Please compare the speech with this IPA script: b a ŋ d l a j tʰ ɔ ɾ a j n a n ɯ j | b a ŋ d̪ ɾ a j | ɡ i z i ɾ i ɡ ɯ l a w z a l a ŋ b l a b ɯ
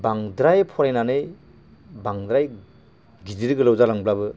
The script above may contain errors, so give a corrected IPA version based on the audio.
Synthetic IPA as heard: b a ŋ d ɾ a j pʰ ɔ ɾ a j n a n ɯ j | b a ŋ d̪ ɾ a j | ɡ i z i ɾ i ɡ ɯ l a w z a l a ŋ b l a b ɯ